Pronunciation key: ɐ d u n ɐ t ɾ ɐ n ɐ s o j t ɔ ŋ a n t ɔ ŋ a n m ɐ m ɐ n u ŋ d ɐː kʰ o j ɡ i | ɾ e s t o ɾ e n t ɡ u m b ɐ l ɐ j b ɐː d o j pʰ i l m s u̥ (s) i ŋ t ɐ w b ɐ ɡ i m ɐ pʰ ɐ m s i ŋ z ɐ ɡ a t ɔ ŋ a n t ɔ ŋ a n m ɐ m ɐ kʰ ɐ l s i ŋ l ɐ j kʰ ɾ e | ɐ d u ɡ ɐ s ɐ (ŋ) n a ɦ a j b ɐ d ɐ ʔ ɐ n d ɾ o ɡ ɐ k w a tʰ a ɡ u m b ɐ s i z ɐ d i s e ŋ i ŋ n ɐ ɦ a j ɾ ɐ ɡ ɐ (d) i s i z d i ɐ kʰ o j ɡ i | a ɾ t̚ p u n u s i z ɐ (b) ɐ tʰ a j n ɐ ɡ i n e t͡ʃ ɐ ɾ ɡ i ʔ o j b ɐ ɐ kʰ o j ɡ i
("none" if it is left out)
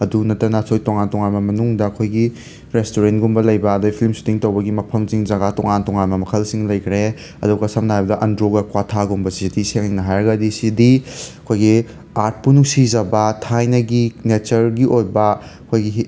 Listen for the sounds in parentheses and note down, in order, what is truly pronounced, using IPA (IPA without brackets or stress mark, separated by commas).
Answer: t, m, d, b